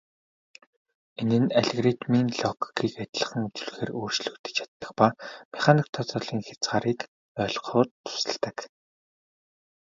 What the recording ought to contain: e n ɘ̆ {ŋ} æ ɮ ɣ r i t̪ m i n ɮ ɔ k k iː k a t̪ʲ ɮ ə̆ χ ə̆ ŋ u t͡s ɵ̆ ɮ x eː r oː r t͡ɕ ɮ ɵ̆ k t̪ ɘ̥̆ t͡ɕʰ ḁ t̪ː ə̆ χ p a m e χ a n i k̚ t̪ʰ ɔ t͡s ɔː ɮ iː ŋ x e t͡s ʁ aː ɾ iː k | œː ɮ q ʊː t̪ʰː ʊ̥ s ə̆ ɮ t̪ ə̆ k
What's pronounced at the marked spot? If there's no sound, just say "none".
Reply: n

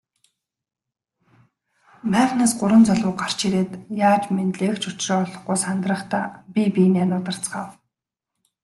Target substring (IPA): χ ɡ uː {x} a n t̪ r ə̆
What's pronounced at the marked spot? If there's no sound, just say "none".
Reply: s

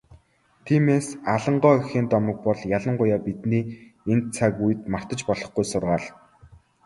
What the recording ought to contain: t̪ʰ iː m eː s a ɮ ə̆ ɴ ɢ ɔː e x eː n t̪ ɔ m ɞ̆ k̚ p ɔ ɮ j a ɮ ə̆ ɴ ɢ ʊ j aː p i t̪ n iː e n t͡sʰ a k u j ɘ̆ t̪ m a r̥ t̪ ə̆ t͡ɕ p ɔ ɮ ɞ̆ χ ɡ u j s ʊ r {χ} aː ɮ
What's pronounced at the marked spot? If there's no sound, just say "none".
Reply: ʁ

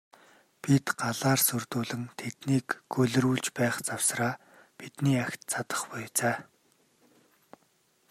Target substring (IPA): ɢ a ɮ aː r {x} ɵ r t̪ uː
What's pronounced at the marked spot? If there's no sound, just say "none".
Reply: s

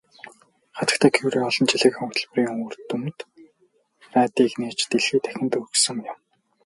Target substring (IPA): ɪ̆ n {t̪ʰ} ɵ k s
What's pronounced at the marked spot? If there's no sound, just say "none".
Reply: t̪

